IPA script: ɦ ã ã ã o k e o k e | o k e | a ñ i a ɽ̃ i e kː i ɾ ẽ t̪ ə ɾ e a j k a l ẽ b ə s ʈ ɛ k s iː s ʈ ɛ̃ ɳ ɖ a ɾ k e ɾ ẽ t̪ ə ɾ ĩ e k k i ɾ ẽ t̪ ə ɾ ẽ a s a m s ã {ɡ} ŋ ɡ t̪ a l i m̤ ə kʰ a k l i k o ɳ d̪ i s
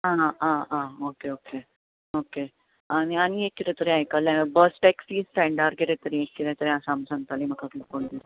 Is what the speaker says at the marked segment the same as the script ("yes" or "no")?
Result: no